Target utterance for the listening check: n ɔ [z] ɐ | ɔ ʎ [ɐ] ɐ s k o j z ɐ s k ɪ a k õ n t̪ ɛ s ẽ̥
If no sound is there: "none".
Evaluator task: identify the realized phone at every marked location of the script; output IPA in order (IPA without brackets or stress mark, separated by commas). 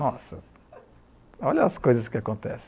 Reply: s, ɐ